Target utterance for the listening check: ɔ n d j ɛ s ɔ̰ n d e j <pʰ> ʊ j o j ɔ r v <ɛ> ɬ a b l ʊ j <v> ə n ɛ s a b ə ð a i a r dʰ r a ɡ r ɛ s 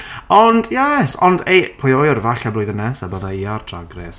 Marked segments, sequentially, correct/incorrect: correct, incorrect, incorrect

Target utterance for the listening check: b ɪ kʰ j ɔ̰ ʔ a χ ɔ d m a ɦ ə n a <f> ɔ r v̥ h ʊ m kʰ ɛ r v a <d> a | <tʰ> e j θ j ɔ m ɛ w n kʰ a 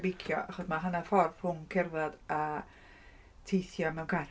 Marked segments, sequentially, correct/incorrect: correct, correct, correct

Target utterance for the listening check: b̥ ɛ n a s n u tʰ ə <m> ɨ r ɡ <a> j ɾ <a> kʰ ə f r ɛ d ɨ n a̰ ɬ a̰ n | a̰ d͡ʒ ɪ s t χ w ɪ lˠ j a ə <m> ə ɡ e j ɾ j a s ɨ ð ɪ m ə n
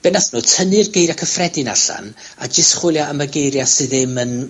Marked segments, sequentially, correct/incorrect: incorrect, incorrect, correct, correct

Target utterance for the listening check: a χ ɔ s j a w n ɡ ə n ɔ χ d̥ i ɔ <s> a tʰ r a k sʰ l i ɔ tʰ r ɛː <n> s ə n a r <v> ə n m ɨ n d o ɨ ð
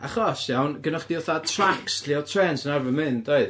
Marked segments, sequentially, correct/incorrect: incorrect, correct, correct

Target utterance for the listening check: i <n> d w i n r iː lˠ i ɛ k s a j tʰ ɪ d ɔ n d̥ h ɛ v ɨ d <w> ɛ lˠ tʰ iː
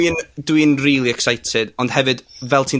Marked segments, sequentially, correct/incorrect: correct, incorrect

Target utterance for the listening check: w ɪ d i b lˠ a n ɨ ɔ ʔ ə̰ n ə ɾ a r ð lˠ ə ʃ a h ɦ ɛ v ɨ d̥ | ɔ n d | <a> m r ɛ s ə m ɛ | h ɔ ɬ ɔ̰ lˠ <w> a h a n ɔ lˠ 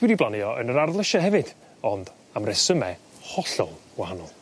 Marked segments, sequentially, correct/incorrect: correct, correct

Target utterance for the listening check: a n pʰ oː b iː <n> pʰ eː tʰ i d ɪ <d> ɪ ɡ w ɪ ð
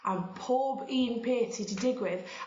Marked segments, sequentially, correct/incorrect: correct, correct

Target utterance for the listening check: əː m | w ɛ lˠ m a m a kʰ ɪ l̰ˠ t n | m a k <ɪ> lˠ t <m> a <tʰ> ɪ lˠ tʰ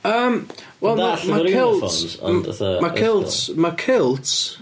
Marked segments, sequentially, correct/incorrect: correct, correct, incorrect

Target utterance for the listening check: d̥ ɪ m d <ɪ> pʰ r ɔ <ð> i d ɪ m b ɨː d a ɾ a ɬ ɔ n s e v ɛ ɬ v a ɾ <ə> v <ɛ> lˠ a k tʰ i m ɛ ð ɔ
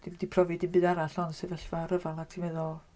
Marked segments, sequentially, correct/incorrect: incorrect, incorrect, correct, incorrect

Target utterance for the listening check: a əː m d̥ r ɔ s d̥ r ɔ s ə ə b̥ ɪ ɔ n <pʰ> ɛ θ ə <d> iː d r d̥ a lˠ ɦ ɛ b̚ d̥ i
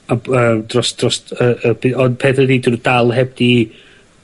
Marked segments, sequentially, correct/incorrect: correct, correct

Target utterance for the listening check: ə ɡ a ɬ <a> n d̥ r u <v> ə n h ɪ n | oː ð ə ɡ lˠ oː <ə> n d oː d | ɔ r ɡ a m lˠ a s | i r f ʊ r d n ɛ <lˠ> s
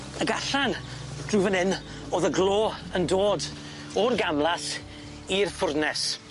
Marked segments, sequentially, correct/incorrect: correct, correct, correct, incorrect

